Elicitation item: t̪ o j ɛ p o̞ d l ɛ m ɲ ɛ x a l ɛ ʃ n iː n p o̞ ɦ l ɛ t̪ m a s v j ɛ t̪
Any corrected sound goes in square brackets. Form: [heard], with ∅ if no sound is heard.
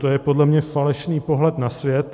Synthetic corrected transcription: t̪ o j ɛ p o̞ d l ɛ m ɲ ɛ [f] a l ɛ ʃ n iː [∅] p o̞ ɦ l ɛ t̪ [n] a s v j ɛ t̪